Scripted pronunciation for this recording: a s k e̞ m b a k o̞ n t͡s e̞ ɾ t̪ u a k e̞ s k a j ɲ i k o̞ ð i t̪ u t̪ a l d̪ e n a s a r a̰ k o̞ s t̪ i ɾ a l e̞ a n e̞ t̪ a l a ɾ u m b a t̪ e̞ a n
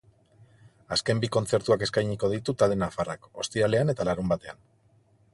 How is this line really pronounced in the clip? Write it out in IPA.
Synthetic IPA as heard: a s k e̞ m b i k o̞ n t͡s e̞ ɾ t̪ u a k e̞ s k a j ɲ i k o̞ ð i t̪ u t̪ a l d̪ e n a f a r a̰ k o̞ s t̪ i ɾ a l e̞ a n e̞ t̪ a l a ɾ u m b a t̪ e̞ a n